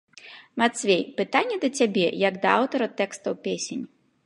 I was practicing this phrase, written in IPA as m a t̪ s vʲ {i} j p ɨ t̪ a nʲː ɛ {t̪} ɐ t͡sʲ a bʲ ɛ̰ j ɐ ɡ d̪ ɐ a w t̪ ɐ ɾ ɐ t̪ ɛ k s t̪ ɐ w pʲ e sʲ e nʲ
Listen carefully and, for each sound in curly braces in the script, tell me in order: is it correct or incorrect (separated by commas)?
incorrect, incorrect